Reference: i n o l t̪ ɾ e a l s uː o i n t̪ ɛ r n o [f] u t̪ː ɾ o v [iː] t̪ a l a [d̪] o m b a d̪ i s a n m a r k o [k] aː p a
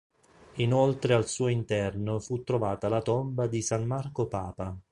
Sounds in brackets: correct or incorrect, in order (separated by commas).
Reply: correct, incorrect, incorrect, incorrect